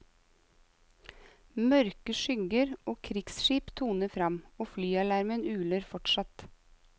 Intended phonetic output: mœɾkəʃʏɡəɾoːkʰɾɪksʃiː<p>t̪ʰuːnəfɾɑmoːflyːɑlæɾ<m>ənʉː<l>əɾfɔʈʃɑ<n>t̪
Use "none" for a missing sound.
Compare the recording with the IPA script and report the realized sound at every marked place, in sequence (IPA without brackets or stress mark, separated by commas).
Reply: p, m, l, none